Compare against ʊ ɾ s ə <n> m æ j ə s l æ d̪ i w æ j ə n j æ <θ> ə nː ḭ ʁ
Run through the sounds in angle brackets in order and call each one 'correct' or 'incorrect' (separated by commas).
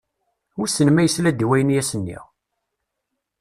correct, incorrect